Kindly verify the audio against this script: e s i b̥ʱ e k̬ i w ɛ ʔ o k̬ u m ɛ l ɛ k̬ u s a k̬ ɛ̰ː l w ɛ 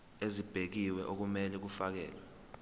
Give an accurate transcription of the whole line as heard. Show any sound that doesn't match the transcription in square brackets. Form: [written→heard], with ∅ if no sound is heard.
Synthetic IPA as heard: e [s→z] i b̥ʱ e k̬ i w ɛ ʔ o k̬ u m ɛ l ɛ k̬ u [s→f] a k̬ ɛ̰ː l w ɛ